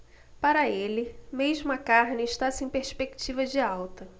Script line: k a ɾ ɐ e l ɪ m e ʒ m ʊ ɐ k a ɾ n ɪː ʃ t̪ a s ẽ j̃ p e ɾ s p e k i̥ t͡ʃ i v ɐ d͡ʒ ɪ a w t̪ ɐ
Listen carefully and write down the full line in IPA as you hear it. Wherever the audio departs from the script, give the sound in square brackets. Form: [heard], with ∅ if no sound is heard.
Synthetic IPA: [p] a ɾ ɐ e l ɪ m e ʒ m ʊ ɐ k a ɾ n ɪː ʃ t̪ a s ẽ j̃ p e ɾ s p e k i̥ t͡ʃ i v ɐ d͡ʒ ɪ a w t̪ ɐ